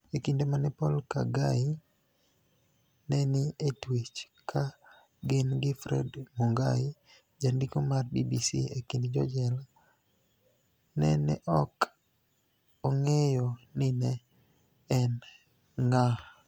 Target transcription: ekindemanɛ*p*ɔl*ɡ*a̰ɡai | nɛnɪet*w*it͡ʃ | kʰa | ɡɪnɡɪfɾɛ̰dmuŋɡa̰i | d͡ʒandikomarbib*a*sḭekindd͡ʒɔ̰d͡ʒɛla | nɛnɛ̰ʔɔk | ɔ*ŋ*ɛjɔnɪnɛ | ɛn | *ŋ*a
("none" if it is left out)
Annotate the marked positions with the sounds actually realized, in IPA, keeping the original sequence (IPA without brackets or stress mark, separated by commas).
p, k, w, i, ŋ, ŋ